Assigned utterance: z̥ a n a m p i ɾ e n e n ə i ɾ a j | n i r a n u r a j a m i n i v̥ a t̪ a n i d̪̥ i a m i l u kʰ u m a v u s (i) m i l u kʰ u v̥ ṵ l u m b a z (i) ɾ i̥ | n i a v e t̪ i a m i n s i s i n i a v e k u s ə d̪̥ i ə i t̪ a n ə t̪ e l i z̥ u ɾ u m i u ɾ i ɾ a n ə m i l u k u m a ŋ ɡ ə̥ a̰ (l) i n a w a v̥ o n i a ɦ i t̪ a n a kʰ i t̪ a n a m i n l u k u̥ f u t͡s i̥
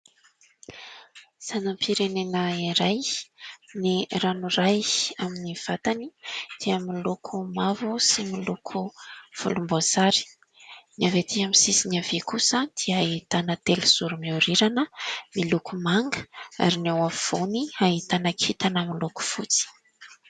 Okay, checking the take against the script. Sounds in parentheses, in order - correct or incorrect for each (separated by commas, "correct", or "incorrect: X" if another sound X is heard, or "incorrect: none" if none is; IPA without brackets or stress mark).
correct, incorrect: a, incorrect: ɾ